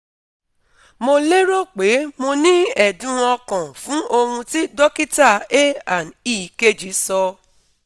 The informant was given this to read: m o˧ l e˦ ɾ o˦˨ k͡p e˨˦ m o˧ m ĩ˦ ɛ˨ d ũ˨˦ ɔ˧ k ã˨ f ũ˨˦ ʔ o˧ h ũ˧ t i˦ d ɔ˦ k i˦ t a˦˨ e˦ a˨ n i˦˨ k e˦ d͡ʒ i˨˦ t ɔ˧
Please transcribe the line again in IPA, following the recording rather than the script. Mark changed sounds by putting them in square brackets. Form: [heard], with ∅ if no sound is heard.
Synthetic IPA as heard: m o˧ l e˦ ɾ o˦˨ k͡p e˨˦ m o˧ [n] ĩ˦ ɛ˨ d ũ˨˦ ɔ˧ k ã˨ f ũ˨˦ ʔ o˧ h ũ˧ t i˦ d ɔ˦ k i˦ t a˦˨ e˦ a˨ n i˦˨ k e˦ d͡ʒ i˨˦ [s] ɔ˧

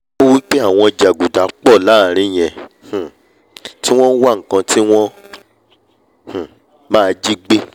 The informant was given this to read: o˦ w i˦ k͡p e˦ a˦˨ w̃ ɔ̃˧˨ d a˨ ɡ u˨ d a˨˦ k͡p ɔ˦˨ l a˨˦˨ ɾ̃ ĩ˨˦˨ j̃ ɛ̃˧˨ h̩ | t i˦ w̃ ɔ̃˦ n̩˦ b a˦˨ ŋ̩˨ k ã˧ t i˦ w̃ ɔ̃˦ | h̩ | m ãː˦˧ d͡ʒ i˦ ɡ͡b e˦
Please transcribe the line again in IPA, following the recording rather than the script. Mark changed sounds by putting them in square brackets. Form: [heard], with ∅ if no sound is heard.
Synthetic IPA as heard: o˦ w i˦ k͡p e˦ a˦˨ w̃ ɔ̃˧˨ [d͡ʒ] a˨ ɡ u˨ d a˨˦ k͡p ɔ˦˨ l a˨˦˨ ɾ̃ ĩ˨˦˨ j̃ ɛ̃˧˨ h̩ | t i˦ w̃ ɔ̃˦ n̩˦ [w] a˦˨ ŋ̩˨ k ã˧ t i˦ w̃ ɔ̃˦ | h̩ | m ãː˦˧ d͡ʒ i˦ ɡ͡b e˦

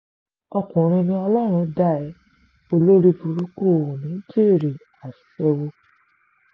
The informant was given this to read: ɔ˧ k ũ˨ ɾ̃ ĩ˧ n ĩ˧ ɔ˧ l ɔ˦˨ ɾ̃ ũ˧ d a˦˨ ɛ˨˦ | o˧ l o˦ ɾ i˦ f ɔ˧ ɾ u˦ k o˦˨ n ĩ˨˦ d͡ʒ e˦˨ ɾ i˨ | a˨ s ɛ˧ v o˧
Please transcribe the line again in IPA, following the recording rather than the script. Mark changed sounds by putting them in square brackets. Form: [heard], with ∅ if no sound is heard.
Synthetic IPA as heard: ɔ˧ k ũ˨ ɾ̃ ĩ˧ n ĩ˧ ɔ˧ l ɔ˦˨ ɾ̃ ũ˧ d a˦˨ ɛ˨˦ | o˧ l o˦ ɾ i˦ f [u˧] ɾ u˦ k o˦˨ n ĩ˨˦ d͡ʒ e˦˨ ɾ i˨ | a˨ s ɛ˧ [w] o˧

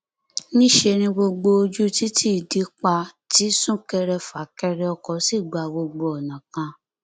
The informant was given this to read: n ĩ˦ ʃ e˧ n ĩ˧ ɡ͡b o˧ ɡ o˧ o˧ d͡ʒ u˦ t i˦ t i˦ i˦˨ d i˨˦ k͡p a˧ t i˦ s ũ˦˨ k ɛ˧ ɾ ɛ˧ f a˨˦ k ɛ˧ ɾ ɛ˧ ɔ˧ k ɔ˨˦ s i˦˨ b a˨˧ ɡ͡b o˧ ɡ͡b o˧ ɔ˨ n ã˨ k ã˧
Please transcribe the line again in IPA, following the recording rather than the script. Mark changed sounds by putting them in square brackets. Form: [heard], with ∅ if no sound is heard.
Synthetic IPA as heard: n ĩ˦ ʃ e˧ n ĩ˧ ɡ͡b o˧ [ɡ͡b] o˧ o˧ d͡ʒ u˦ t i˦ t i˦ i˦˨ d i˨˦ k͡p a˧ t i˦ s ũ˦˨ k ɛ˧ ɾ ɛ˧ f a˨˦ k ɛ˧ ɾ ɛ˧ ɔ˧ k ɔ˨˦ s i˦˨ [ɡ͡b] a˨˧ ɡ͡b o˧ ɡ͡b o˧ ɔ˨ n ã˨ k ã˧

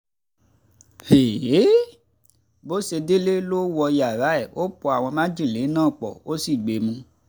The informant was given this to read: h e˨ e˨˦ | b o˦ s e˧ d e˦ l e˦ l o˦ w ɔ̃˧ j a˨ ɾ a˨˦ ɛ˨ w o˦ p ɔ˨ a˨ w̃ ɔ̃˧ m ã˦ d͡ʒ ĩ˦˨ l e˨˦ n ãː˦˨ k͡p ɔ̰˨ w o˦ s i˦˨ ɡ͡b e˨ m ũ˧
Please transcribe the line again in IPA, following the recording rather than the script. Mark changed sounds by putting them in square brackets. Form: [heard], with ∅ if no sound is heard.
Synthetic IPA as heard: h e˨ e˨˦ | b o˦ s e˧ d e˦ l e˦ l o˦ w [ɔ˧] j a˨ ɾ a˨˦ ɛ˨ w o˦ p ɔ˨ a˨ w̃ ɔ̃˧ m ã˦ d͡ʒ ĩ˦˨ l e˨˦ n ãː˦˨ k͡p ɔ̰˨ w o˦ s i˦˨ ɡ͡b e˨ m ũ˧

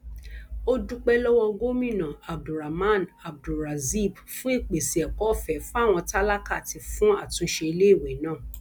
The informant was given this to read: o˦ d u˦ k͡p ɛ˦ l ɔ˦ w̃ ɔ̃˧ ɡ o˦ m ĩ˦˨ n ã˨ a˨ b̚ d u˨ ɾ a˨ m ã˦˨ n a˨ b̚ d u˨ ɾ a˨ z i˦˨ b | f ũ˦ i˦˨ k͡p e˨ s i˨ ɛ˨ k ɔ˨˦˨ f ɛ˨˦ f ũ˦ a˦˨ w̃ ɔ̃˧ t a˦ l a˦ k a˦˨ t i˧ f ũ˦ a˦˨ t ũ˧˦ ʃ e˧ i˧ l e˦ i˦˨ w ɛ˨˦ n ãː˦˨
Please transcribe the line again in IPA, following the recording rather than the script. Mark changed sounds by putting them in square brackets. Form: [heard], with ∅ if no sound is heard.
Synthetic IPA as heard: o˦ d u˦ k͡p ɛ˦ l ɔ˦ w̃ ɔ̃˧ ɡ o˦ m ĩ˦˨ n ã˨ a˨ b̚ d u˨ ɾ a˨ m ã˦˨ n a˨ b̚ d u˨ ɾ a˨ z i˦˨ b | f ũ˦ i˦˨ k͡p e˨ s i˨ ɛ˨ k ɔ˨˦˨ f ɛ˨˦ f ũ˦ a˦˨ w̃ ɔ̃˧ t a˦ l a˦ k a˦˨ t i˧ f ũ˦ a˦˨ t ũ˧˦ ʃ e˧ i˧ l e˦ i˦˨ w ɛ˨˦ n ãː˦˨

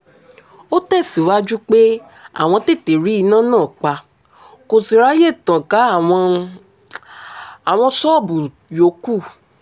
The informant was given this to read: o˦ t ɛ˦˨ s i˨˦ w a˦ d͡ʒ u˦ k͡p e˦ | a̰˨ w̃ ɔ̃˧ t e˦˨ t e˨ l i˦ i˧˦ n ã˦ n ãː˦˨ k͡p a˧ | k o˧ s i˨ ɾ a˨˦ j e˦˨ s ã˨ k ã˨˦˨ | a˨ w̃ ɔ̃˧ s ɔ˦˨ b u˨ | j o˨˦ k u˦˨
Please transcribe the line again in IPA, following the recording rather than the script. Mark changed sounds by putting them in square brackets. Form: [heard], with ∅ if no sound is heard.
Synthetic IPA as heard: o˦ t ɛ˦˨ s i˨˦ w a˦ d͡ʒ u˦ k͡p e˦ | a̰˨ w̃ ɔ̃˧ t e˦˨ t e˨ [ɾ] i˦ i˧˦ n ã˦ n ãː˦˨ k͡p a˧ | k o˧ s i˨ ɾ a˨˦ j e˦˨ [t] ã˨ k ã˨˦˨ | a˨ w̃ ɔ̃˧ s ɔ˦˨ b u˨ | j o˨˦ k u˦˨

